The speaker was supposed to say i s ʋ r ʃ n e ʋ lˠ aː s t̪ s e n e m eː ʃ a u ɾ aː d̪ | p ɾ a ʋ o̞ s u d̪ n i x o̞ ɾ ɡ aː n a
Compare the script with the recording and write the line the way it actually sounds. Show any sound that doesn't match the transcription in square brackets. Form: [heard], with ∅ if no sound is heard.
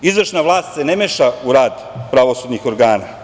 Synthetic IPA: i [z] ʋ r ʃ n [a] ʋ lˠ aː s t̪ s e n e m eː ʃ a u ɾ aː d̪ | p ɾ a ʋ o̞ s u d̪ n i x o̞ ɾ ɡ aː n a